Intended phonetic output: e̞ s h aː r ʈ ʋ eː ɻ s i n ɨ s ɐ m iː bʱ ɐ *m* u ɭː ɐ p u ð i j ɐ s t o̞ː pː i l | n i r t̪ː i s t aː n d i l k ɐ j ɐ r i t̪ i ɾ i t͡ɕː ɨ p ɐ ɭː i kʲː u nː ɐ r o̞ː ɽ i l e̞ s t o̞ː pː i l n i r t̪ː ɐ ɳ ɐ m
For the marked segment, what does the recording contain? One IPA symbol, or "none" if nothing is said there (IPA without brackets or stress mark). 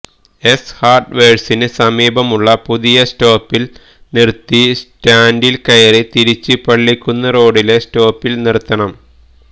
m